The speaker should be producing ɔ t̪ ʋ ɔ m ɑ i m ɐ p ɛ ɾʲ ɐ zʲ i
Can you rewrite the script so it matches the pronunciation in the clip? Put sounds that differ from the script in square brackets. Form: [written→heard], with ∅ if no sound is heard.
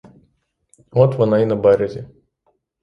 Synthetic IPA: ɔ t̪ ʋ ɔ [m→n] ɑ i [m→n] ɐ [p→b] ɛ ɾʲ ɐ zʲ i